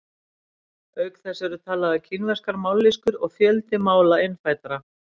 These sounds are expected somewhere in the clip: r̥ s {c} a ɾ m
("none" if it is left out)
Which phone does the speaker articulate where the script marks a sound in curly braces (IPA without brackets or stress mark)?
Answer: k